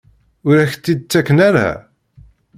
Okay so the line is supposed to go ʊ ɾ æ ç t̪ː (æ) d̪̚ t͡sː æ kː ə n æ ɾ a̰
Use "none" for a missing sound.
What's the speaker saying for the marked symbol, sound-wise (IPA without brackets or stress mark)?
i